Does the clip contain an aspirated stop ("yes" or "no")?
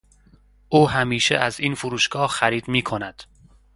yes